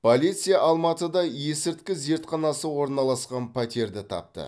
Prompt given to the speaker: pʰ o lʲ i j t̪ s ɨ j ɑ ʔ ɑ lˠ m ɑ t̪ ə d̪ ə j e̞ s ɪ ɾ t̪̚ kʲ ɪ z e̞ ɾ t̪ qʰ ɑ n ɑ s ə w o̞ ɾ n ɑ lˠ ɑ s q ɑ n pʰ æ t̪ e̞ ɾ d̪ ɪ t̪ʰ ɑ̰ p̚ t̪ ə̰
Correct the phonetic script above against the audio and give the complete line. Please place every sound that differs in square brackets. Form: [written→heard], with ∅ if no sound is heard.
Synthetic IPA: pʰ o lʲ i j t̪ s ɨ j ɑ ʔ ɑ lˠ m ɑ t̪ ə d̪ [ə→ɑ] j e̞ s ɪ ɾ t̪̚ kʲ ɪ z e̞ ɾ t̪ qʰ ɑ n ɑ s ə w o̞ ɾ n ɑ lˠ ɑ s q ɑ n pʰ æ t̪ e̞ ɾ d̪ ɪ t̪ʰ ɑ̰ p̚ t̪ ə̰